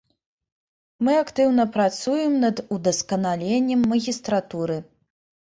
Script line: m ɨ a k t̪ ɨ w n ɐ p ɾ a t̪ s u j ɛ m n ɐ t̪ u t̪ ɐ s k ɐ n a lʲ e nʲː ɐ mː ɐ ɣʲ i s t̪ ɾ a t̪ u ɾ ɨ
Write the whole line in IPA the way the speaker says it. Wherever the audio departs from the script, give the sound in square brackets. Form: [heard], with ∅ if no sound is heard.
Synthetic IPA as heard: m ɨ a k t̪ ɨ w n ɐ p ɾ a t̪ s u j ɛ m n ɐ [d̪] u [d̪] ɐ s k ɐ n a lʲ e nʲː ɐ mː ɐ ɣʲ i s t̪ ɾ a t̪ u ɾ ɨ